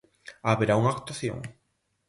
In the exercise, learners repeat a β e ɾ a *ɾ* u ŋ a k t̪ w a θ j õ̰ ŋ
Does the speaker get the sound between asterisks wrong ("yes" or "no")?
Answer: yes